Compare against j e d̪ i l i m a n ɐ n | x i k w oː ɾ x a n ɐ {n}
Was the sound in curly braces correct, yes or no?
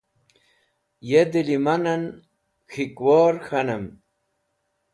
no